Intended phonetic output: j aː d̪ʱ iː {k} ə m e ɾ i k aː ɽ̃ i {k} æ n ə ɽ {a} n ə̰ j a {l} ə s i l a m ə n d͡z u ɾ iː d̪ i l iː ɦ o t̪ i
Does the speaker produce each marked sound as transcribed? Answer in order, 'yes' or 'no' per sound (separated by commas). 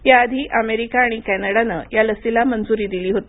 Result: no, yes, yes, yes